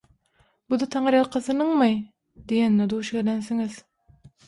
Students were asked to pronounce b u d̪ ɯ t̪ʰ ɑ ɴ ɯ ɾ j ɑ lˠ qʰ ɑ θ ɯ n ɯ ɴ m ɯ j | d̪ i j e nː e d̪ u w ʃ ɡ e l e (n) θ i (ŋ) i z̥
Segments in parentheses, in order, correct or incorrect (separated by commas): correct, correct